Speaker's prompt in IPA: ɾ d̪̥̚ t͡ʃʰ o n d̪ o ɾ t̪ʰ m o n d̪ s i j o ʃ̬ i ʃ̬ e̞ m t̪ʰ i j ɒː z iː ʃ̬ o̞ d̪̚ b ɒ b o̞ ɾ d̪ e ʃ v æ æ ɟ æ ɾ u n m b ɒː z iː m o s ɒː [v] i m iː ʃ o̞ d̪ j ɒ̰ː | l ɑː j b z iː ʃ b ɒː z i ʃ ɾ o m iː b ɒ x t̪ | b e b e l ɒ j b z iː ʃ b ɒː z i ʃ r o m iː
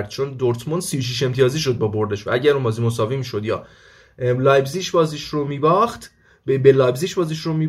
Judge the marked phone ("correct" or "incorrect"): correct